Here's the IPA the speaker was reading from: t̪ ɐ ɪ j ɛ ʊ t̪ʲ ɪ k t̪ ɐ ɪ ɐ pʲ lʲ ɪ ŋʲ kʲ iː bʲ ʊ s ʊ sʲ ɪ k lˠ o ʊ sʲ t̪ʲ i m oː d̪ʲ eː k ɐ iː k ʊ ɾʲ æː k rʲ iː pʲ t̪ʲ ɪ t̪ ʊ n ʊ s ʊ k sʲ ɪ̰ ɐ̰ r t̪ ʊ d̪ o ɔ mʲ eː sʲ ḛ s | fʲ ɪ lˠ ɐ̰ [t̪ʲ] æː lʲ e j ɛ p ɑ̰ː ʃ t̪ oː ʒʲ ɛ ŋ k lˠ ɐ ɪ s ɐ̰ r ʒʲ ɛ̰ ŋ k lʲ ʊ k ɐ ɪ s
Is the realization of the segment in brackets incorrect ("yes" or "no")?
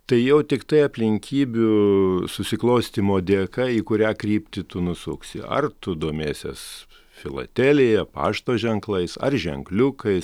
no